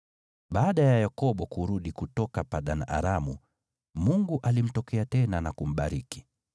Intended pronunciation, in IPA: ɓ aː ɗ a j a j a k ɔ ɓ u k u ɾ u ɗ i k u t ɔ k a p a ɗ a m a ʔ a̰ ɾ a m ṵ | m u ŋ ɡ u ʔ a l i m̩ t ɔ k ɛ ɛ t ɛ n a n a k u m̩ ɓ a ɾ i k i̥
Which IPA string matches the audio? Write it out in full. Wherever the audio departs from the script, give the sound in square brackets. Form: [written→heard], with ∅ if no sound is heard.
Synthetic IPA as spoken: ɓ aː ɗ a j a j a k ɔ ɓ [u→ɔ] k u ɾ u ɗ i k u t ɔ k a p a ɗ a [m→n] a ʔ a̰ ɾ a m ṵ | m u ŋ ɡ u ʔ a l i m̩ t ɔ k ɛ [ɛ→a] t ɛ n a n a k u m̩ ɓ a ɾ i k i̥